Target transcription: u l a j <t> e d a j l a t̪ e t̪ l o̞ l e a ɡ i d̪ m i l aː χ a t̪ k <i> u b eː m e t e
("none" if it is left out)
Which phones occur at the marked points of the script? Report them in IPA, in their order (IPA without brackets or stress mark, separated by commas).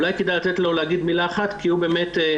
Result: k, i